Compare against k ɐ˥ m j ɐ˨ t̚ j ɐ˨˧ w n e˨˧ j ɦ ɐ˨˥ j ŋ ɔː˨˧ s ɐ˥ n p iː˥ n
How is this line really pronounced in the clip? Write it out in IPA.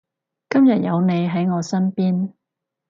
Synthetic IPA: k ɐ˥ m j ɐ˨ t̚ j ɐ˨˧ w n e˨˧ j ɦ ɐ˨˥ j ŋ ɔː˨˧ s ɐ˥ n p iː˥ n